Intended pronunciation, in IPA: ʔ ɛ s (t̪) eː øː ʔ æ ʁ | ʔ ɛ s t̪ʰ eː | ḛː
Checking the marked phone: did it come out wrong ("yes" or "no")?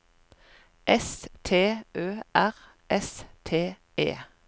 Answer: yes